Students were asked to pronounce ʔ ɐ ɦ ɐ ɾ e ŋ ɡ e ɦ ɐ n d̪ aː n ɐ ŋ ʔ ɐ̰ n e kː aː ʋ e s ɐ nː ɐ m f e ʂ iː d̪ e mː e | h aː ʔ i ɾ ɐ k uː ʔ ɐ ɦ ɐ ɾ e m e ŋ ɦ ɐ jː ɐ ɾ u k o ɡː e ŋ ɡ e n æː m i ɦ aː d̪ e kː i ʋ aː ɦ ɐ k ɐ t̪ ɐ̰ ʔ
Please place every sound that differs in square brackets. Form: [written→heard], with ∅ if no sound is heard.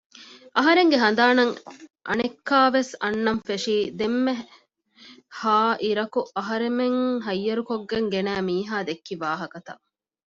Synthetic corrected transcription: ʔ ɐ ɦ ɐ ɾ e ŋ ɡ e ɦ ɐ n d̪ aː n ɐ ŋ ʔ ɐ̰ n e kː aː ʋ e s ɐ nː ɐ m f e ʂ iː d̪ e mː e | h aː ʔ i ɾ ɐ k [uː→u] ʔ ɐ ɦ ɐ ɾ e m e ŋ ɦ ɐ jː ɐ ɾ u k o ɡː e ŋ ɡ e n æː m [i→iː] ɦ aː d̪ e kː i ʋ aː ɦ ɐ k ɐ t̪ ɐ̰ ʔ